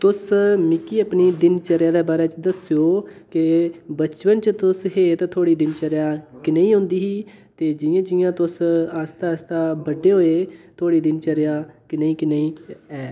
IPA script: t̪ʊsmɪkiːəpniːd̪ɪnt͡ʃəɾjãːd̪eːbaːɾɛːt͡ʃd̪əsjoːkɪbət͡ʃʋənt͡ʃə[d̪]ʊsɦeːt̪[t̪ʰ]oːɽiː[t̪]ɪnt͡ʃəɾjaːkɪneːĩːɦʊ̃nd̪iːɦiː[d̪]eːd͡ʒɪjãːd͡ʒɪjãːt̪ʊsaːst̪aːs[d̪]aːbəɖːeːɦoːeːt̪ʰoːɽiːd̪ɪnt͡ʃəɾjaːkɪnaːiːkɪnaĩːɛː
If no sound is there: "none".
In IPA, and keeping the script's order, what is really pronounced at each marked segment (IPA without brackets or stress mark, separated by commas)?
t̪, t̪ʰ, d̪, t̪, t̪